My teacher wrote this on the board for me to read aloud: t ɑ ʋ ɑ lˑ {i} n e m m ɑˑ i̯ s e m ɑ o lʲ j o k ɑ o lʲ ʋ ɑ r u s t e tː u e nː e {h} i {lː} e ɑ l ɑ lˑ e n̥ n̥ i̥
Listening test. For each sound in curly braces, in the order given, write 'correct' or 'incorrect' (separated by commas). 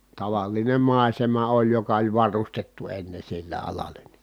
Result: correct, incorrect, correct